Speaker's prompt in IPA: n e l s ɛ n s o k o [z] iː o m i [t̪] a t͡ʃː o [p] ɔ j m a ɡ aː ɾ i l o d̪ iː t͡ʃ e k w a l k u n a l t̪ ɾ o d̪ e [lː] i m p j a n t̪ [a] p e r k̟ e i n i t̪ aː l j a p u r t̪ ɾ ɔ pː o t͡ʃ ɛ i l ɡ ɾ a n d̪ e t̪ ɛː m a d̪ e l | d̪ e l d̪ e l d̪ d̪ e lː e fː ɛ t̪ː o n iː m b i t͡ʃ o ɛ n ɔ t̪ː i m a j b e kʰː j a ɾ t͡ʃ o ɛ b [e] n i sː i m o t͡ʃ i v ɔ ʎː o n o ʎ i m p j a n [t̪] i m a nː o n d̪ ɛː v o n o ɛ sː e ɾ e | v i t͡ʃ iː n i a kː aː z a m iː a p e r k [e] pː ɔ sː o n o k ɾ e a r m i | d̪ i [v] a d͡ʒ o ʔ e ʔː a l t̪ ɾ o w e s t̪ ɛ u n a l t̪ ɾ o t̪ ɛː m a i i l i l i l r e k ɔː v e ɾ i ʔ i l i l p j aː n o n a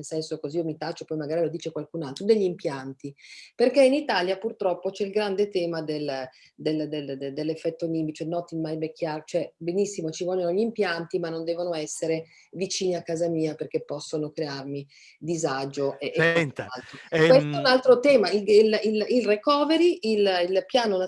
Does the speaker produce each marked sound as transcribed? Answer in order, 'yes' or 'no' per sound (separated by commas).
yes, yes, yes, no, no, yes, yes, yes, no